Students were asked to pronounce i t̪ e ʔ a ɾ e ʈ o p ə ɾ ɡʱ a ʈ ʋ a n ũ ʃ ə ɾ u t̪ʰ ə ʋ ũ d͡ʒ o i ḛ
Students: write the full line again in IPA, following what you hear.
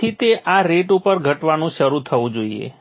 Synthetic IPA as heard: i t̪ e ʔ a ɾ e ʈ u p ə ɾ ɡʱ ə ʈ ʋ a n ũ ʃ ə ɾ u t̪ʰ ə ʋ ũ d͡ʒ o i ḛ